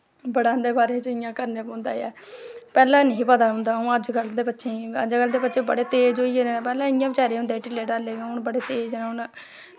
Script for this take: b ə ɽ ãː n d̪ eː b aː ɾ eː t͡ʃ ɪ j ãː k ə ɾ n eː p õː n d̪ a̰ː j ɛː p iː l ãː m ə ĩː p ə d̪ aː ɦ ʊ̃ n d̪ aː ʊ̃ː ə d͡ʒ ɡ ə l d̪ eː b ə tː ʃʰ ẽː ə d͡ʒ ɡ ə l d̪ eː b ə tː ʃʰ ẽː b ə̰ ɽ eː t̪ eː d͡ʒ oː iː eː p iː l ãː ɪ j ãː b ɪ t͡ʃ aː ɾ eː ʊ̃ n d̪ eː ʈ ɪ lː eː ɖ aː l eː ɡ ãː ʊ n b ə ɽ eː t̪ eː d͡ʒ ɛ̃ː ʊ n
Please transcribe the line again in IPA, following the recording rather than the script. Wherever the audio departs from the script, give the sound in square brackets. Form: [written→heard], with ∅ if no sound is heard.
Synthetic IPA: b ə ɽ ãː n d̪ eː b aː ɾ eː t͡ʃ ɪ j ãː k ə ɾ n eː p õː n d̪ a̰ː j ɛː p [iː→ɛː] l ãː [m→n] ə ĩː p ə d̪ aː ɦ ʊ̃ n d̪ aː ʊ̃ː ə d͡ʒ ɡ ə l d̪ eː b ə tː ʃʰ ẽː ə d͡ʒ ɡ ə l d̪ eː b ə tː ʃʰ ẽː b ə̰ ɽ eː t̪ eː d͡ʒ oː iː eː p [iː→ɛː] l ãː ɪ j ãː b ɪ t͡ʃ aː ɾ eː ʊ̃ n d̪ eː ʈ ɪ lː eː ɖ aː l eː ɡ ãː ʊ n b ə ɽ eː t̪ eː d͡ʒ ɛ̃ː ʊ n